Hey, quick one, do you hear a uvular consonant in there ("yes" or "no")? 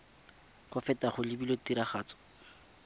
yes